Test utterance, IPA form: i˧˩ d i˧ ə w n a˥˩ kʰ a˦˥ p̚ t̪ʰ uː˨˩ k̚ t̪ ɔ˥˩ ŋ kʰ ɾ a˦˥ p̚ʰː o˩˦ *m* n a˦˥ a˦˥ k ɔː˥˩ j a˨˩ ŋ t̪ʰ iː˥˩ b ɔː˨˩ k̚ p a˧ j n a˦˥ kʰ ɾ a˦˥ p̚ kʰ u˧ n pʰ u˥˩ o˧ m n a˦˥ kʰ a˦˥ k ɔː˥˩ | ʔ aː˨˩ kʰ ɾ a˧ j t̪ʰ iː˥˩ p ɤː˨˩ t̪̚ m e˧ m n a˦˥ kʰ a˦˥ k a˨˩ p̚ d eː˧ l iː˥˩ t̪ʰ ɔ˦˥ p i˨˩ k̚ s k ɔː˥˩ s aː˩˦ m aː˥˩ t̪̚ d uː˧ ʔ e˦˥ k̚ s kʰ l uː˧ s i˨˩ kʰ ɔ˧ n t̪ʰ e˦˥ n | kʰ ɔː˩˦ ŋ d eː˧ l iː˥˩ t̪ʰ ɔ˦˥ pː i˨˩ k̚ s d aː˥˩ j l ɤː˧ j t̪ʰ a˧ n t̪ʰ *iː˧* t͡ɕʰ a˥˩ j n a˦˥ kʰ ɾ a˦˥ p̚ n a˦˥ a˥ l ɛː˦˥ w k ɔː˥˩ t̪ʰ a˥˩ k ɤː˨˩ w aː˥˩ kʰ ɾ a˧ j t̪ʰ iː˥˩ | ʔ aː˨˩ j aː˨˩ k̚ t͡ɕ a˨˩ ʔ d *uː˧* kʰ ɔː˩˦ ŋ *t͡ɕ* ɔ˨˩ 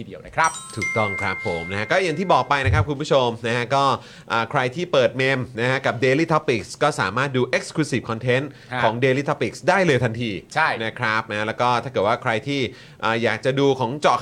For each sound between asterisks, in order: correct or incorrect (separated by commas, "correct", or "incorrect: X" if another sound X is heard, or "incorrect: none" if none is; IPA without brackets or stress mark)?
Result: correct, correct, correct, correct